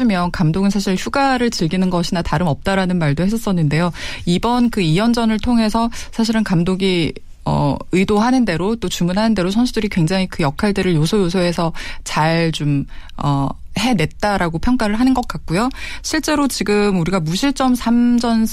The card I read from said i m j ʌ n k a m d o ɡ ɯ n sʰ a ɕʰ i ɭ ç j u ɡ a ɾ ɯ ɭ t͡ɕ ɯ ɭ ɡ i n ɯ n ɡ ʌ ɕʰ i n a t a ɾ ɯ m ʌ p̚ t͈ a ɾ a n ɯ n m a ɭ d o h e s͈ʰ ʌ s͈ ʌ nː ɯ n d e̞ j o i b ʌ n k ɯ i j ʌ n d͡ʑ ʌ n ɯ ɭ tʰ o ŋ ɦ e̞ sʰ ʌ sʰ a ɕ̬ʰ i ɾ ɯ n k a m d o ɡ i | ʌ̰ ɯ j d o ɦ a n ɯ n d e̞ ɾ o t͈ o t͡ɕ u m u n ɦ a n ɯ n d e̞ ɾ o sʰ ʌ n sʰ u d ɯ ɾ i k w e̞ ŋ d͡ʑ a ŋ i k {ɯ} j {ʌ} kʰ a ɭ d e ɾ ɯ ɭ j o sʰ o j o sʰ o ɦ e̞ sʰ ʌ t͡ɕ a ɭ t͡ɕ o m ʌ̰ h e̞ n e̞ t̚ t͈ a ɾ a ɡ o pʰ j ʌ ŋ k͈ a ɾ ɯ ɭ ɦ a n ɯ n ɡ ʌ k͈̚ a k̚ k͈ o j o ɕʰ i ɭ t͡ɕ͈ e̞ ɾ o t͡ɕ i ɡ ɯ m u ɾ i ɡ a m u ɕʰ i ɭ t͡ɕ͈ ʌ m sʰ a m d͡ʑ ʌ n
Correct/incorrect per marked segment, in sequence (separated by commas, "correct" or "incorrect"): correct, correct